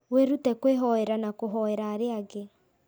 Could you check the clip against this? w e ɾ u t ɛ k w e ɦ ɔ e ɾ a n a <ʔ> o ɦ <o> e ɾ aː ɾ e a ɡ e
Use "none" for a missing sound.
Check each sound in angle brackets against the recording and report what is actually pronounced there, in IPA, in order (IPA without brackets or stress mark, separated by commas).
k, ɔ